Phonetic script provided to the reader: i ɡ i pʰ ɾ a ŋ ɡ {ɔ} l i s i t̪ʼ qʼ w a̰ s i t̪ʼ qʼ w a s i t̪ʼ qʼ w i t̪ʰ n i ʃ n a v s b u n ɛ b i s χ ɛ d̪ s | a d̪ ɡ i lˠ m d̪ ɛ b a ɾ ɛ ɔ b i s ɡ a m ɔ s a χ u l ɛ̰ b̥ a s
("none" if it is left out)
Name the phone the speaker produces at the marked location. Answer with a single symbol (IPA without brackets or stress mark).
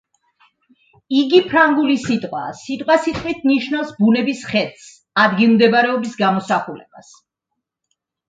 u